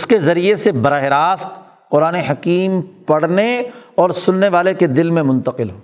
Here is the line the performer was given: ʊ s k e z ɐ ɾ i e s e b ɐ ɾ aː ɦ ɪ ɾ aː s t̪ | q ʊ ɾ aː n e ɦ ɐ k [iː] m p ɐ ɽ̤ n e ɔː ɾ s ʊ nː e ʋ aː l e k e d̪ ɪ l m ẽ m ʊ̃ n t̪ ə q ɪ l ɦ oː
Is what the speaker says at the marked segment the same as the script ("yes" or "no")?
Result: yes